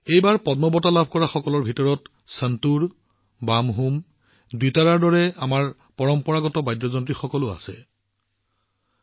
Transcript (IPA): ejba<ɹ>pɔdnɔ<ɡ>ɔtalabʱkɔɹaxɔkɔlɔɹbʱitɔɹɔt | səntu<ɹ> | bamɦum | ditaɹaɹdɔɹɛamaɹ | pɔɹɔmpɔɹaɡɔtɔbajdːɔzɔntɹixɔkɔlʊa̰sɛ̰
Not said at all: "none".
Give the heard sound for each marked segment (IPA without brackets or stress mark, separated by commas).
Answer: ɹ, b, ɹ